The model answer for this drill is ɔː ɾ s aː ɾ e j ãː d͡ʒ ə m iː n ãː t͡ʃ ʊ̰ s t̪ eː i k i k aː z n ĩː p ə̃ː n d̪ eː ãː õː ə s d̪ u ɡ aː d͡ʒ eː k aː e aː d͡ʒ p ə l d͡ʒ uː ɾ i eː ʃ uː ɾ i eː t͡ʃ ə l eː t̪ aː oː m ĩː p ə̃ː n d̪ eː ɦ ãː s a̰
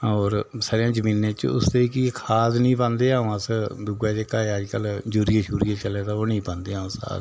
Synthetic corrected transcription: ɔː ɾ s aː ɾ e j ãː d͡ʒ ə m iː n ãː t͡ʃ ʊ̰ s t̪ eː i k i kʰ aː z n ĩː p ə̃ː n d̪ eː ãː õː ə s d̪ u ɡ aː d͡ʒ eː k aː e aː d͡ʒ k ə l d͡ʒ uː ɾ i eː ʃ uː ɾ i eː t͡ʃ ə l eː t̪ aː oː n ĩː p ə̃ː n d̪ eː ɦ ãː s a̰